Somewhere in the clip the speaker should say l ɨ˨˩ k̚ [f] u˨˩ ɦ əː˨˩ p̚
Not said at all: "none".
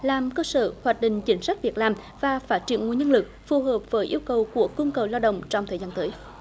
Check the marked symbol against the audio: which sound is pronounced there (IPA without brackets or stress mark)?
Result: f